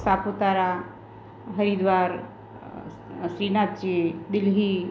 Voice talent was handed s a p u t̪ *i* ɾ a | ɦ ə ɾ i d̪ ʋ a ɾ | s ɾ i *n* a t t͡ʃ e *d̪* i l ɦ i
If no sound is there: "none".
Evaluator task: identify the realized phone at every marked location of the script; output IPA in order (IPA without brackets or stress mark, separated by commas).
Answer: a, n, d̪